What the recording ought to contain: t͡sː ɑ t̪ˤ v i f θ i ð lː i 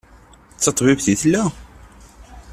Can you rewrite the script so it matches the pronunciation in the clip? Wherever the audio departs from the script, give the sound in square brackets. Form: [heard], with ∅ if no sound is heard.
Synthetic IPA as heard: t͡sː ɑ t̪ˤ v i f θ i [θ] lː [æ]